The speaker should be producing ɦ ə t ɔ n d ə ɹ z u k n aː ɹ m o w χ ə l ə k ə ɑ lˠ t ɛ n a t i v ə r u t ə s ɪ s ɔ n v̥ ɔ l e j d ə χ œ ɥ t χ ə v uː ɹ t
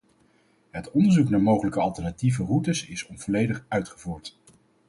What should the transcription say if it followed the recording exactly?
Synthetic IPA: ɦ ə t ɔ n d ə ɹ z u k n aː ɹ m o w χ ə l ə k ə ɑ lˠ t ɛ n a t i v ə r u t ə s ɪ s ɔ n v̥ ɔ l e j d ə χ œ ɥ t χ ə v uː ɹ t

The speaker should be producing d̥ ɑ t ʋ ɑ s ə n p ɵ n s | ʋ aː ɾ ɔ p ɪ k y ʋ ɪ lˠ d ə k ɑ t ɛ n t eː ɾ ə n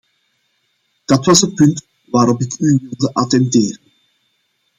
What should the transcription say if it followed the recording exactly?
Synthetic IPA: d̥ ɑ t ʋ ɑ s ə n p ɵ n t | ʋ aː ɾ ɔ p ɪ k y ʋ ɪ lˠ d ə ʔ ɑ t ɛ n t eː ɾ ə n

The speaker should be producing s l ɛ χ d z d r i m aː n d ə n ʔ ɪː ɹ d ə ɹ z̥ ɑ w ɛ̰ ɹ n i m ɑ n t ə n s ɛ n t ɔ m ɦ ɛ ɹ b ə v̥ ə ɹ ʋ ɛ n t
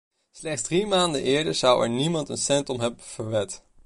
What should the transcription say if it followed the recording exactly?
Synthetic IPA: s l ɛ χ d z d r i m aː n d ə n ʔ ɪː ɹ d ə ɹ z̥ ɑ w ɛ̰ ɹ n i m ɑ n t ə n s ɛ n t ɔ m ɦ ɛ b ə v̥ ə ɹ ʋ ɛ t

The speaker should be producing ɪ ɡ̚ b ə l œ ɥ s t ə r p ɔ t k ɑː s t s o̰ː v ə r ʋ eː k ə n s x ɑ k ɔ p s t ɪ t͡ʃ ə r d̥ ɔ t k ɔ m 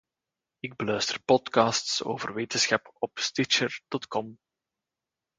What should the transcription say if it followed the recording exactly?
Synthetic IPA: ɪ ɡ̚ b ə l œ ɥ s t ə r p ɔ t k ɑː s t s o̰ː v ə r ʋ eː t ə n s x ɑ p ɔ p s t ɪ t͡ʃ ə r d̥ ɔ t k ɔ m

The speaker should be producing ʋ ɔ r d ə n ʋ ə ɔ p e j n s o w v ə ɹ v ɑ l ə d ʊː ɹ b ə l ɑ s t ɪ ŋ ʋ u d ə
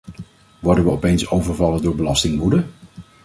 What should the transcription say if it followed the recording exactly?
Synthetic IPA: ʋ ɔ ɹ d ə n ʋ ə ɔ p e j n s o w v ə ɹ v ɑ l ə d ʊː ɹ b ə l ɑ s t ɪ ŋ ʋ u d ə

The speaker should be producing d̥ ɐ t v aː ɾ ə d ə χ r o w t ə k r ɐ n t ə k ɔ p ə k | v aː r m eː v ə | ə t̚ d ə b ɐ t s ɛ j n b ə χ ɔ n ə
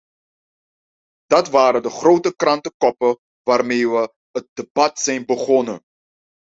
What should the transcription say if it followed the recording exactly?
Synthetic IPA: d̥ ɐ t v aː ɾ ə d ə χ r o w t ə k r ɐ n t ə k ɔ p ə | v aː r m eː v ə | ə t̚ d ə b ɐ t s ɛ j n b ə χ ɔ n ə

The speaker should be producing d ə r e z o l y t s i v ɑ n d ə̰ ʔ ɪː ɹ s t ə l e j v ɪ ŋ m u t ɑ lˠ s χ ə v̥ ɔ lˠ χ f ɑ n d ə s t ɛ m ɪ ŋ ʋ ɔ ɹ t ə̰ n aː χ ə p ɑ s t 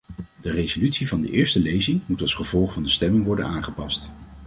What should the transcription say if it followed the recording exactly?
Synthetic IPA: d ə r e z o l y t s i v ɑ n d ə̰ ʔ ɪː ɹ s t ə l e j z ɪ ŋ m u t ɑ lˠ s χ ə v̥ ɔ lˠ χ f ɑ n d ə s t ɛ m ɪ ŋ ʋ ɔ ɹ d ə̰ n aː χ ə p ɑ s t

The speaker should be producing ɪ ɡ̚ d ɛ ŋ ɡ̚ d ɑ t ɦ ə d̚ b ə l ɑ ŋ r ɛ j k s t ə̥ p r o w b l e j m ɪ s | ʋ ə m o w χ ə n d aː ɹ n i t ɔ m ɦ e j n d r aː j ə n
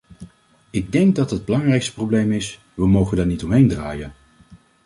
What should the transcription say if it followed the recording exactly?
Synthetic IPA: ɪ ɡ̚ d ɛ ŋ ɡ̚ d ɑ t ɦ ə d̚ b ə l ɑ ŋ r ɛ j k s t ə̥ p r o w b l e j m ɪ s | ʋ ə m o w χ ə n d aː ɹ n i t ɔ m ɦ e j n d r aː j ə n

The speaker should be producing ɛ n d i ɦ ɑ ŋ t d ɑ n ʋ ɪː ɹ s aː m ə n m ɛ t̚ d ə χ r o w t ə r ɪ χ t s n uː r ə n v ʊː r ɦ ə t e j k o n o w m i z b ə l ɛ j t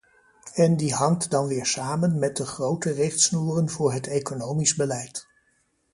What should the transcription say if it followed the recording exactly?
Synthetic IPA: ɛ n d i ɦ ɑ ŋ t d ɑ n ʋ ɪː ɹ s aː m ə n m ɛ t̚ d ə χ r o w t ə r ɪ χ t s n uː r ə n v ʊː ɹ ɦ ə t e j k o n o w m i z b ə l ɛ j t

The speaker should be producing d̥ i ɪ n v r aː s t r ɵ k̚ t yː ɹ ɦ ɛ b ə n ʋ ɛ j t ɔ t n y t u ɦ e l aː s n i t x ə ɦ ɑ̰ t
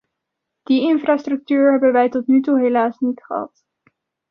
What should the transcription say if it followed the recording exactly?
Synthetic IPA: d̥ i ɪ n f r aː s t r ɵ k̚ t yː ɹ ɦ ɛ b ə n ʋ ɛ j t ɔ t n y t u ɦ e l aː s n i t χ ə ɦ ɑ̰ t

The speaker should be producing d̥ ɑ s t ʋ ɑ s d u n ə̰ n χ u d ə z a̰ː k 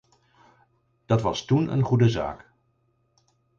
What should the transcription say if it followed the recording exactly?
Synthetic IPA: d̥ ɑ t ʋ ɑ s t u n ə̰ n χ u d ə z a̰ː k

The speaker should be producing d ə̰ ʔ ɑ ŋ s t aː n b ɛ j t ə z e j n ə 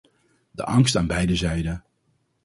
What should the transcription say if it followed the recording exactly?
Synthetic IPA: d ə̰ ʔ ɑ ŋ s t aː n b ɛ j d ə z ɛ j d ə

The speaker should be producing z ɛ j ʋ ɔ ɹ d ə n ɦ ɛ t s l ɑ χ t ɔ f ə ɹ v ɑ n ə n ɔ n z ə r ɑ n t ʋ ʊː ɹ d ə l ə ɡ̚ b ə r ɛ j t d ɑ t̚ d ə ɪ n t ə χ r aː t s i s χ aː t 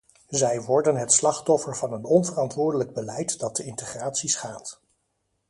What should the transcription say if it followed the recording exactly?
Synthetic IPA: z ɛ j ʋ ɔ ɹ d ə n ɦ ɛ t s l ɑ χ t ɔ f ə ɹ v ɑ n ə n ɔ n v ə r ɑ n t ʋ ʊː ɹ d ə l ə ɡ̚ b ə l ɛ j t d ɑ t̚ d ə ɪ n t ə χ r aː t s i s χ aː t

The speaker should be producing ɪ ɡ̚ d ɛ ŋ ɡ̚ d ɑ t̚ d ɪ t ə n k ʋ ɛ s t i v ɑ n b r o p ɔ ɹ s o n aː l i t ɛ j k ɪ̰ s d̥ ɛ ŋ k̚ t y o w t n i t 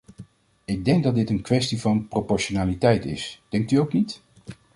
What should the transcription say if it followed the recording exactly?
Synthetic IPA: ɪ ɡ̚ d ɛ ŋ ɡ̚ d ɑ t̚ d ɪ t ə n k ʋ ɛ s t i v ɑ n p r o p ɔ ɹ ʃ o n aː l i t ɛ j t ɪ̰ s d̥ ɛ ŋ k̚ t y o w k n i t

